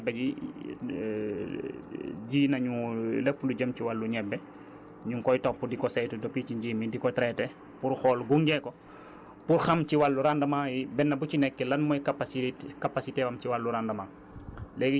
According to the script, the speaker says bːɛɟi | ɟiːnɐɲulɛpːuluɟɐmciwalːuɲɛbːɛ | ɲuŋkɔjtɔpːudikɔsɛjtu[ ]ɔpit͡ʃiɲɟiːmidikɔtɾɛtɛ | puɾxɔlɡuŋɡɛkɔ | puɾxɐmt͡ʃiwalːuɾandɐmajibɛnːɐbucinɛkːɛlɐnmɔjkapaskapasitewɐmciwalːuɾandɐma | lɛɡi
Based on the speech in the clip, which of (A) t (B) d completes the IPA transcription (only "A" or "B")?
B